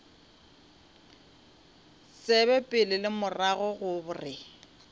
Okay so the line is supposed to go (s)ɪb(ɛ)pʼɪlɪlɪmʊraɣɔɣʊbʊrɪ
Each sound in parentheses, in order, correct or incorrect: correct, correct

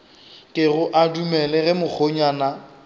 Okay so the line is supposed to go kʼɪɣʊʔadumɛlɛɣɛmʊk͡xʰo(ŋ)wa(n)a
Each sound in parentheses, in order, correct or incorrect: incorrect: ɲ, correct

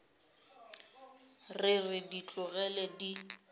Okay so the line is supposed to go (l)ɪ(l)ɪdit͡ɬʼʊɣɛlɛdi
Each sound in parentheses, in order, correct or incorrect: incorrect: r, incorrect: r

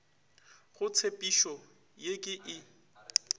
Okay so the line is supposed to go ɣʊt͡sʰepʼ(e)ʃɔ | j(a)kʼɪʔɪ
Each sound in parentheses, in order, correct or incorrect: incorrect: i, incorrect: e

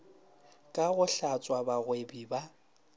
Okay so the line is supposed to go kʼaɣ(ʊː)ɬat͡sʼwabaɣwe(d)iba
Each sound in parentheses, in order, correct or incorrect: incorrect: ʊ, incorrect: b

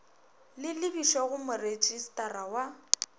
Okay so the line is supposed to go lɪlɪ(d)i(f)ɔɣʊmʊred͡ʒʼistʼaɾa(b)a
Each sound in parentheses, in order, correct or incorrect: incorrect: b, incorrect: ʃ, incorrect: w

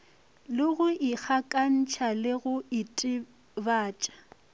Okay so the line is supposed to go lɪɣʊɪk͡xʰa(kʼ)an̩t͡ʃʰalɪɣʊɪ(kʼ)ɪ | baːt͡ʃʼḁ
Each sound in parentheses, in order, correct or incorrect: correct, incorrect: tʼ

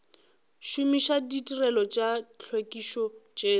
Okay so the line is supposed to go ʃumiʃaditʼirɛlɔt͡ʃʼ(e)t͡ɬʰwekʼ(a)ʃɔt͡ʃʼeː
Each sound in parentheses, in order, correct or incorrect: incorrect: a, incorrect: i

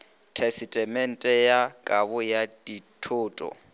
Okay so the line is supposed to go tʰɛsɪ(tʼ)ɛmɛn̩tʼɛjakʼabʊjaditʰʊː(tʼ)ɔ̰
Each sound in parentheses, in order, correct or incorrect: correct, correct

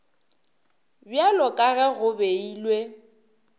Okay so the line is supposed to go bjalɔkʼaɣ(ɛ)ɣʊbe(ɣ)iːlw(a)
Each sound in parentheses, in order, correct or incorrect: correct, incorrect: none, incorrect: e

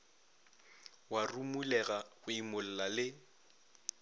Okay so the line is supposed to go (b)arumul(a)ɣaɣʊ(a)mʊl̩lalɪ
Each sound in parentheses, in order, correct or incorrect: incorrect: w, incorrect: ɛ, incorrect: i

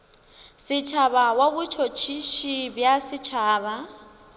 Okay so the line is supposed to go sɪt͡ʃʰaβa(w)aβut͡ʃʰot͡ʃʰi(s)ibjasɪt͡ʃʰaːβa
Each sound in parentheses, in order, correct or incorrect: correct, incorrect: ʃ

